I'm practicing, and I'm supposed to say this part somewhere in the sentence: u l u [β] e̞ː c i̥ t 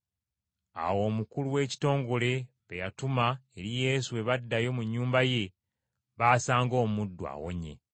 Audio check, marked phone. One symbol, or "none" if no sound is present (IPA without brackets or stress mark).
w